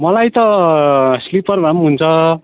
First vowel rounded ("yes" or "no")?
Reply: no